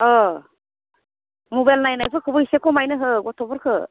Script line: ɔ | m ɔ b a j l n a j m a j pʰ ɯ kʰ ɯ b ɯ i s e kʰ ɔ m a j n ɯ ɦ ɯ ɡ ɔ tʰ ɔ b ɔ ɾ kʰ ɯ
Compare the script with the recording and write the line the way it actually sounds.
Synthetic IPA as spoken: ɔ | m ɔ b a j l n a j n a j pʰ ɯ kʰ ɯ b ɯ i s e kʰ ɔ m a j n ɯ ɦ ɯ ɡ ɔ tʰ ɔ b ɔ ɾ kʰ ɯ